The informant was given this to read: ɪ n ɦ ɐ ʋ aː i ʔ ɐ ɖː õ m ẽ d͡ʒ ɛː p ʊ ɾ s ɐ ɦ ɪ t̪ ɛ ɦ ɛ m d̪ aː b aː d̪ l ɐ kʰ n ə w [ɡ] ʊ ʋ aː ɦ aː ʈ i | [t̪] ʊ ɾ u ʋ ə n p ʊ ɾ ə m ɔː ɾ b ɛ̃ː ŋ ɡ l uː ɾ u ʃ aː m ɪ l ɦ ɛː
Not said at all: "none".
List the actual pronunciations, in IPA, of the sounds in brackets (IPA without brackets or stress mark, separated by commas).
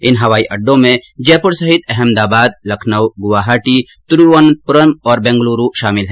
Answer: ɡ, t̪